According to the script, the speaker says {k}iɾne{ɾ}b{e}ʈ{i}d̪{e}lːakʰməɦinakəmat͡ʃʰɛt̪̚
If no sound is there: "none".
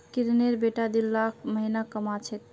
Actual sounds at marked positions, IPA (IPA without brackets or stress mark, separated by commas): k, ɾ, e, a, i